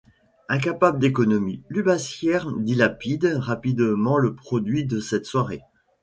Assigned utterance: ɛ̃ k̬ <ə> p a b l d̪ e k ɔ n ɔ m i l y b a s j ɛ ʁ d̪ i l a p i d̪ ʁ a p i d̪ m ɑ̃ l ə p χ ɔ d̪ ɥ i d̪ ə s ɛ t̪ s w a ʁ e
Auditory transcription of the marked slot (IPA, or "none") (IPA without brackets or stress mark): a